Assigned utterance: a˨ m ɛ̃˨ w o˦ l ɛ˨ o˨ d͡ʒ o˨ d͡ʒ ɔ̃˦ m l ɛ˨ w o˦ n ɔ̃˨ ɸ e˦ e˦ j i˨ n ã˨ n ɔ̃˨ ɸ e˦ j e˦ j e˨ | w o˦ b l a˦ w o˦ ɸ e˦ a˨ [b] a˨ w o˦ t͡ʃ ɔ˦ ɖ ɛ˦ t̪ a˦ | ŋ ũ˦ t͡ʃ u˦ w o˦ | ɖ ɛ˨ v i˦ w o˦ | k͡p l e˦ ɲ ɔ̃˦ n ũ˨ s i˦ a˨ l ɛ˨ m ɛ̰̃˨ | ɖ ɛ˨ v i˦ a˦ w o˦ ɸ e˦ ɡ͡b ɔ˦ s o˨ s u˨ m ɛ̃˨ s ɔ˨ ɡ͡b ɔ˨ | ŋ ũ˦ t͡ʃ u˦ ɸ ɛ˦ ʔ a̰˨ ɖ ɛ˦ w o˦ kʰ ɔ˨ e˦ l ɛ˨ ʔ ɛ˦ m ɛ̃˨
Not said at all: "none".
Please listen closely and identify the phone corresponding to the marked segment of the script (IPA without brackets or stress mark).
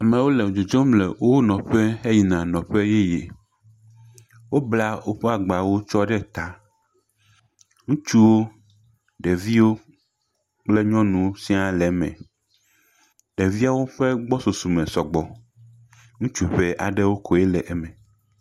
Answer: ɡ͡b